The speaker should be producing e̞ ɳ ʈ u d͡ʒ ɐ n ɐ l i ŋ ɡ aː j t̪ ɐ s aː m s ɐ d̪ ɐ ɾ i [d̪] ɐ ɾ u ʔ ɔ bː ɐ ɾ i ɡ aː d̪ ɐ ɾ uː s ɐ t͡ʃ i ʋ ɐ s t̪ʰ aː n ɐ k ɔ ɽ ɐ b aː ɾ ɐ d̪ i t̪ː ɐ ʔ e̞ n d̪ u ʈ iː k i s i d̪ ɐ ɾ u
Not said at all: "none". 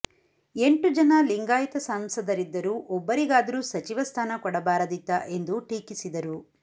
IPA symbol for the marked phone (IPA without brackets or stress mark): d̪ː